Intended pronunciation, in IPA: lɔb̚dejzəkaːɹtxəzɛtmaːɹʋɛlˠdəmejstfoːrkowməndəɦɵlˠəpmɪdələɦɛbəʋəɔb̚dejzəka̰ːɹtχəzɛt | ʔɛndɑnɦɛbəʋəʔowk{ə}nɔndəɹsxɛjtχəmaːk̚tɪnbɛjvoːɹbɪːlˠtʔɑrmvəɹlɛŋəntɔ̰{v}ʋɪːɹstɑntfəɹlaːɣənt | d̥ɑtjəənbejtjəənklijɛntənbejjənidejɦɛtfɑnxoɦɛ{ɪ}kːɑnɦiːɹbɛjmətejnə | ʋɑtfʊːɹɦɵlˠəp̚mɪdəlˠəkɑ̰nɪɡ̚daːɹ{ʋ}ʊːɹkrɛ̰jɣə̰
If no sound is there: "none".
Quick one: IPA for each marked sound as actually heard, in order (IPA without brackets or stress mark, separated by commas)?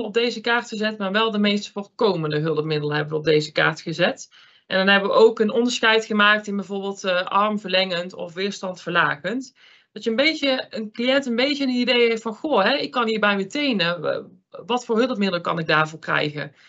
ə, f, ɪ, v